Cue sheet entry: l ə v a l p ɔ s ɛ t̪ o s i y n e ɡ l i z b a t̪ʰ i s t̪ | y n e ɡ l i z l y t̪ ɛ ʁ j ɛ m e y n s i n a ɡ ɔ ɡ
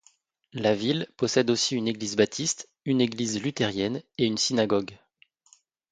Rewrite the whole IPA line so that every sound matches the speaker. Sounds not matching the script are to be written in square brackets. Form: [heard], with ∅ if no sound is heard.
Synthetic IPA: l [a] v [i] l p ɔ s ɛ [d̪] o s i y n e ɡ l i z b a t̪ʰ i s t̪ | y n e ɡ l i z l y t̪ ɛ ʁ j ɛ [n] e y n s i n a ɡ ɔ ɡ